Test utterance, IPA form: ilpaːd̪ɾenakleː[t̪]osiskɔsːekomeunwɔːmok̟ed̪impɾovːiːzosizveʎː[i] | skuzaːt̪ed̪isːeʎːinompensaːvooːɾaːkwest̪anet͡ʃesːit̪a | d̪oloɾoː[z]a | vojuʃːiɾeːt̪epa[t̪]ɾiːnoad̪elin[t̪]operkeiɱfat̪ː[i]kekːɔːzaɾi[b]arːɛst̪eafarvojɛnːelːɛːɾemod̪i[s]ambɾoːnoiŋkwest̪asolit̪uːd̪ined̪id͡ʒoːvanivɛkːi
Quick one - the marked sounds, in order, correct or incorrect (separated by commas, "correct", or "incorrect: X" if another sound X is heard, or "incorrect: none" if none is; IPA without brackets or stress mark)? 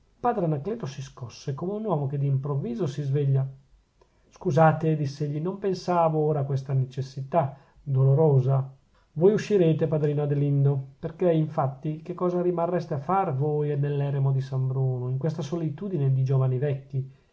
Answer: correct, incorrect: a, correct, incorrect: d̪, incorrect: d̪, correct, incorrect: m, correct